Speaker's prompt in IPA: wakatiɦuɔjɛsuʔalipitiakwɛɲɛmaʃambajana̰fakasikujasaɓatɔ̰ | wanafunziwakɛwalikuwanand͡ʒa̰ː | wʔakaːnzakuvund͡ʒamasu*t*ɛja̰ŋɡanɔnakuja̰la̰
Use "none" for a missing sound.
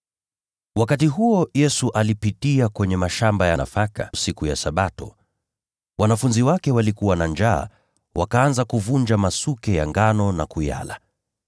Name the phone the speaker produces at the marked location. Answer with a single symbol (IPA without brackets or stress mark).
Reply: k